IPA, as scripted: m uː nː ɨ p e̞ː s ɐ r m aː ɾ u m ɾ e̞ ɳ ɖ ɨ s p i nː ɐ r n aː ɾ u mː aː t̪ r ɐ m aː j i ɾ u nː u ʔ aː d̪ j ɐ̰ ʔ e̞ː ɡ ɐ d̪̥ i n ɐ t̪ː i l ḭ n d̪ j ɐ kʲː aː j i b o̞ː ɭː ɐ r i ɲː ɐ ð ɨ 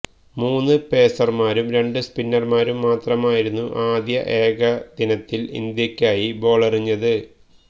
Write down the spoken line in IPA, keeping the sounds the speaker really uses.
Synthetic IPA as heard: m uː nː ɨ p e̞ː s ɐ r m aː ɾ u m ɾ e̞ ɳ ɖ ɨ s p i nː ɐ r m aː ɾ u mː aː t̪ r ɐ m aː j i ɾ u nː u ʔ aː d̪ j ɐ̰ ʔ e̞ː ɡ ɐ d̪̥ i n ɐ t̪ː i l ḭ n d̪ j ɐ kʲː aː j i b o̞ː ɭ ɐ r i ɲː ɐ ð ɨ